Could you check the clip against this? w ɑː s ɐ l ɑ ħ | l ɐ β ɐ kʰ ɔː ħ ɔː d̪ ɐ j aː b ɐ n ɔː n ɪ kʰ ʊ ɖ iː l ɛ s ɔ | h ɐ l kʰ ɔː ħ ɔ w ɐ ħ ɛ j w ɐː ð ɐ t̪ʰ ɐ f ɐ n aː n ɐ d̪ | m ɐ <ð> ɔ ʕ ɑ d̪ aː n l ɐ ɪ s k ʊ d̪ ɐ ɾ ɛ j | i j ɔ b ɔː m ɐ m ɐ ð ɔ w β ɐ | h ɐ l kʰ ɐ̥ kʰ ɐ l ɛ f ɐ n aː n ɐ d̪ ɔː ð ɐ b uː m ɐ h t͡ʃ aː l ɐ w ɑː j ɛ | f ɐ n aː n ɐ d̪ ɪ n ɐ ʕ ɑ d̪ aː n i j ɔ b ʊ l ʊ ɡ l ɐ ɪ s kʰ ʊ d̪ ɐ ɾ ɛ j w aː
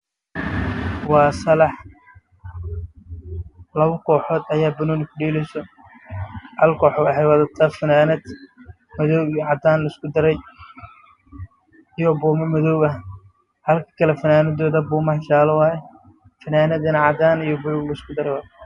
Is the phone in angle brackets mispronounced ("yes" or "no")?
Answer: no